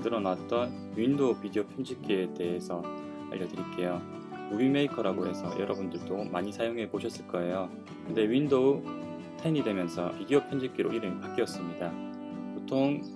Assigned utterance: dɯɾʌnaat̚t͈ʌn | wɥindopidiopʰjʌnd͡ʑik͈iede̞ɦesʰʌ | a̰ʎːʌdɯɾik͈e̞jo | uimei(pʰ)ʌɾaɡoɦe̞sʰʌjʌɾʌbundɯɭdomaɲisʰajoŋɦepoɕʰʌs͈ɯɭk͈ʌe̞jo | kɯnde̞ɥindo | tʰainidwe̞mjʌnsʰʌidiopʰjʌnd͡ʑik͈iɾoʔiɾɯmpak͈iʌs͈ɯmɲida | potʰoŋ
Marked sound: incorrect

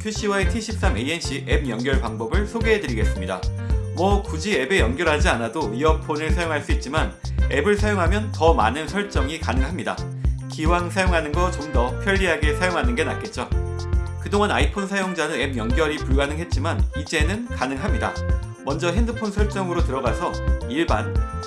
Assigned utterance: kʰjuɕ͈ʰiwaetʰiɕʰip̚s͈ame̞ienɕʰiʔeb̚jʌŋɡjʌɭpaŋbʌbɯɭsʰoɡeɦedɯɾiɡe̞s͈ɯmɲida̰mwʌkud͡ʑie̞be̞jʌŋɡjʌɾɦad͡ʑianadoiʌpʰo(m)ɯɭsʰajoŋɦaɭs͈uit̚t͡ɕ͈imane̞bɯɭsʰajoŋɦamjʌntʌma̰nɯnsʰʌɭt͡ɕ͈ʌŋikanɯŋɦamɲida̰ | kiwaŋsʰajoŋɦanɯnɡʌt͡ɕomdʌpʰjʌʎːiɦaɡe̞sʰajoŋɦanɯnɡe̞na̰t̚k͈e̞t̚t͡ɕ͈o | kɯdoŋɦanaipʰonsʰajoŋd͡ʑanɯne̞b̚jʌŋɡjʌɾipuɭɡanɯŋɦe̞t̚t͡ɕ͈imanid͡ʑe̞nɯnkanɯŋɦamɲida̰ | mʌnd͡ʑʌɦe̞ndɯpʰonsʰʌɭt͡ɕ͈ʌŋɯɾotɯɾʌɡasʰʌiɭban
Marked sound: incorrect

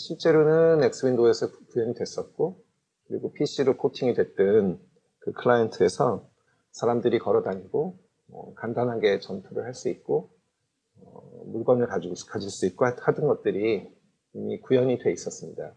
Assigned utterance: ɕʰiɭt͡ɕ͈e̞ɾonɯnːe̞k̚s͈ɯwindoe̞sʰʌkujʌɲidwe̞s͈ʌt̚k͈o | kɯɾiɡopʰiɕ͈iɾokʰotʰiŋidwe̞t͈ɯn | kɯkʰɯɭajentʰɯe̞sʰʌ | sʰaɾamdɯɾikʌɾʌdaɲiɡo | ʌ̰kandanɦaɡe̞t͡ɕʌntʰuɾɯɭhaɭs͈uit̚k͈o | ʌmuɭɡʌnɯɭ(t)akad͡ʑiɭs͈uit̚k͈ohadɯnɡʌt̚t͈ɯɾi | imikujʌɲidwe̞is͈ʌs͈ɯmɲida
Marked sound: incorrect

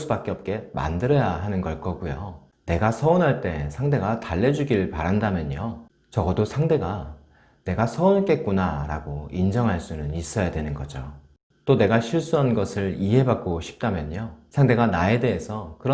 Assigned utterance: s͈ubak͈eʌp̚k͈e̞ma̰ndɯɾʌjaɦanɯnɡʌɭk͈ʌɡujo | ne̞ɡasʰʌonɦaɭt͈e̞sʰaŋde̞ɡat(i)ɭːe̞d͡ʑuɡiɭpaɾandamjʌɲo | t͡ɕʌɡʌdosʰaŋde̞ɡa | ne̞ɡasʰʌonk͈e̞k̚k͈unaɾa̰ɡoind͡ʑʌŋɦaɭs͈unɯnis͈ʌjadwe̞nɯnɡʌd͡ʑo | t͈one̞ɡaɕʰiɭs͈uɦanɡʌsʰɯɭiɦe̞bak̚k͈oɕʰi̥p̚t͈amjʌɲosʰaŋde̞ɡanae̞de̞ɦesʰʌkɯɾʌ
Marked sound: incorrect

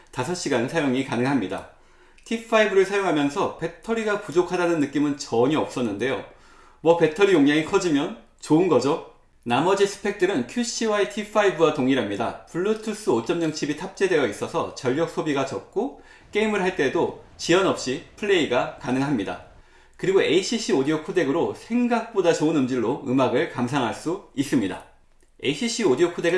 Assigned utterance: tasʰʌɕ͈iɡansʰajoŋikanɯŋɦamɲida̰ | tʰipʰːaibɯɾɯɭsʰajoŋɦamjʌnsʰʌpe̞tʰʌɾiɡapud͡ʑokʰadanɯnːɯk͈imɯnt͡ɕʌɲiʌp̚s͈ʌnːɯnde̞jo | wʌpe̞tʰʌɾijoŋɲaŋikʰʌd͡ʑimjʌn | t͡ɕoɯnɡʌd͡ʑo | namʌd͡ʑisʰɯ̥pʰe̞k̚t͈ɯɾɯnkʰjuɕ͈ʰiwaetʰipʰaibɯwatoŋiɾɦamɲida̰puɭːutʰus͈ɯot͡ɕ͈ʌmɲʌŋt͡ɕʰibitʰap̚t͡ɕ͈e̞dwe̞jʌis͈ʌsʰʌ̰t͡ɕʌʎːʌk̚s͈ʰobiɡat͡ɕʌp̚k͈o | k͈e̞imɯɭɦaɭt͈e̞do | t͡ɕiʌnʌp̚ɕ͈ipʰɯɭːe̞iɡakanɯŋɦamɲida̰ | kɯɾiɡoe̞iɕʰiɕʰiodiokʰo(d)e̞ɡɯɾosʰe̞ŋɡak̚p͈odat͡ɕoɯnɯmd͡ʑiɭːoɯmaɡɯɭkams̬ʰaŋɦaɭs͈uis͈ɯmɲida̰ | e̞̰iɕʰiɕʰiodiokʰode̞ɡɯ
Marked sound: correct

